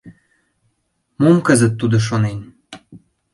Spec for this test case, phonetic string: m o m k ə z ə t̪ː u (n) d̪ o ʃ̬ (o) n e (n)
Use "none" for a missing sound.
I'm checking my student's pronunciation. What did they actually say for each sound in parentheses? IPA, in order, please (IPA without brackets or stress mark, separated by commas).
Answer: none, o, n